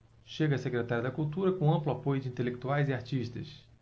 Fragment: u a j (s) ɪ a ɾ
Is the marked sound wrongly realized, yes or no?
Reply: yes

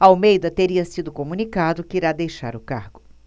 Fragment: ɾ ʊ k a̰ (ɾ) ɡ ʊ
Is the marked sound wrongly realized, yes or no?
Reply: no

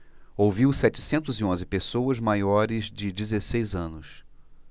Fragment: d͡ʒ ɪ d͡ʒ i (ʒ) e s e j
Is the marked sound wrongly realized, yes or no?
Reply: yes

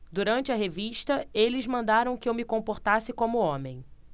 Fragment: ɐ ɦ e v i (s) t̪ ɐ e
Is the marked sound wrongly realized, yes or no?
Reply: yes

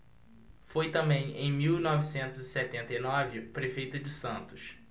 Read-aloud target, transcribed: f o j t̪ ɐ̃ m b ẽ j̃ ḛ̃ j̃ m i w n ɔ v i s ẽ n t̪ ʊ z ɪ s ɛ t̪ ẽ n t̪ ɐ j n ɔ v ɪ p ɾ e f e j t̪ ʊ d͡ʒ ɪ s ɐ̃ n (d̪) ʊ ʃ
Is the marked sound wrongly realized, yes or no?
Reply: yes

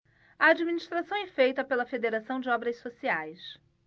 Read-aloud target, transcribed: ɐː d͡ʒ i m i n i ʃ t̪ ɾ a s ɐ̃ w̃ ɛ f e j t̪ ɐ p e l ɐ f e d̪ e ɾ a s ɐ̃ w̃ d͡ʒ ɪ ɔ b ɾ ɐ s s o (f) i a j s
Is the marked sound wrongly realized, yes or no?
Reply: yes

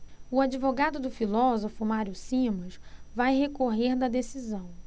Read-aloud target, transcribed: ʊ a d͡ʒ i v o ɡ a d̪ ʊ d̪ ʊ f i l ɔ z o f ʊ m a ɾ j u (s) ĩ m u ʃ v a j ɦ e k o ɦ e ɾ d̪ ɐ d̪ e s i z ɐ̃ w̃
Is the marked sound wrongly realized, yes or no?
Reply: no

